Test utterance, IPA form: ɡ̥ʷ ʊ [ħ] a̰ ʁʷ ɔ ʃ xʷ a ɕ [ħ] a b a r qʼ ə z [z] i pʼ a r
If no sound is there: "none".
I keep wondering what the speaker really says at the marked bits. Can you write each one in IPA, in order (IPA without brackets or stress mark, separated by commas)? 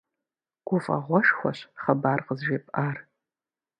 f, χ, ʒ